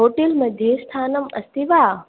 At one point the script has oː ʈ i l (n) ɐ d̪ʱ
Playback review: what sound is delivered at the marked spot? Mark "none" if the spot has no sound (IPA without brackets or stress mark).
m